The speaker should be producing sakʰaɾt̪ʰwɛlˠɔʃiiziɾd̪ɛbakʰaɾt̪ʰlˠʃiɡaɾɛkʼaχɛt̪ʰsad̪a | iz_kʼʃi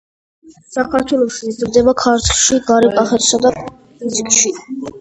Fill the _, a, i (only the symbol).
i